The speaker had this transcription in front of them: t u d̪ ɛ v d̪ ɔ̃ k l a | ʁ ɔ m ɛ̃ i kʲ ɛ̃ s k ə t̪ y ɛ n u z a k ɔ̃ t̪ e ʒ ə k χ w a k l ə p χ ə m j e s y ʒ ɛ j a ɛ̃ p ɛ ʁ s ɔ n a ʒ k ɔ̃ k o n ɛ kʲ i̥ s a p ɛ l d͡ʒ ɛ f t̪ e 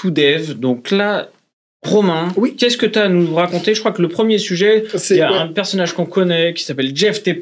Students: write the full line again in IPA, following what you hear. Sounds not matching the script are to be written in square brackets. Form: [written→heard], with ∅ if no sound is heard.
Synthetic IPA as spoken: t u d̪ ɛ v d̪ ɔ̃ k l a | ʁ ɔ m ɛ̃ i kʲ [ɛ̃→ɛ] s k ə t̪ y [ɛ→a] n u [z→ʁ] a k ɔ̃ t̪ e ʒ ə k χ w a k l ə p χ ə m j e s y ʒ ɛ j a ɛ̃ p ɛ ʁ s ɔ n a ʒ k ɔ̃ k [o→ɔ] n ɛ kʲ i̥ s a p ɛ l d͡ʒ ɛ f t̪ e